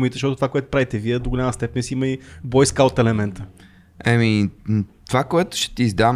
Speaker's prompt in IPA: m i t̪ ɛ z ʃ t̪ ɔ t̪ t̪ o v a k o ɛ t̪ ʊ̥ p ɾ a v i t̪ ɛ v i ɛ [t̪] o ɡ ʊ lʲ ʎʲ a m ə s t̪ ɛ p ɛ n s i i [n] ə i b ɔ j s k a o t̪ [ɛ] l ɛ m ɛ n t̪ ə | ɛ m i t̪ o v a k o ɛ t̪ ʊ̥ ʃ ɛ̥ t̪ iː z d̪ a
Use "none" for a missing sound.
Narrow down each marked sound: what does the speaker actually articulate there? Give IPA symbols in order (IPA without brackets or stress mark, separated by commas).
d̪, m, ɛ